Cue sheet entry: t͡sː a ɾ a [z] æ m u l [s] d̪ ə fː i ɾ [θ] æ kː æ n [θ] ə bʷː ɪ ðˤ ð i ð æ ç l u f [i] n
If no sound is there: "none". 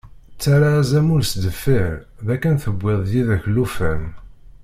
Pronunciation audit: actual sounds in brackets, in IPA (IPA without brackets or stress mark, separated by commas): z, s, ð, θ, æ